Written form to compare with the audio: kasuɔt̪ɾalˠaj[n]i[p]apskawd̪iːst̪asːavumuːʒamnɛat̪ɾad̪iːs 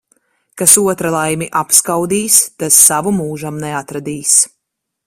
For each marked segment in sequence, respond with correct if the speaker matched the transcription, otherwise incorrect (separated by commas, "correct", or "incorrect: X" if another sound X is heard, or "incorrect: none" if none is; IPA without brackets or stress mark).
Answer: incorrect: m, incorrect: ʔ